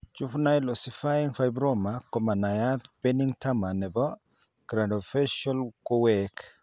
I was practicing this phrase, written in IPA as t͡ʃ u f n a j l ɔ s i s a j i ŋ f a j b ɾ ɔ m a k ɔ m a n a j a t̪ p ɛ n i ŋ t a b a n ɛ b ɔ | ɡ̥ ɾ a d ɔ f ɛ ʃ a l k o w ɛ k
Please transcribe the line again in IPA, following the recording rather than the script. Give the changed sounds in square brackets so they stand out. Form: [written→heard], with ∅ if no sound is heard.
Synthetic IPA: t͡ʃ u f n a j l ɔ s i [s→f] a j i ŋ f a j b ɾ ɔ m a k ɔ m a n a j a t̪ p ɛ n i ŋ t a [b→m] a n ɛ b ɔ | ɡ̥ ɾ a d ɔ f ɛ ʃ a l k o w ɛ k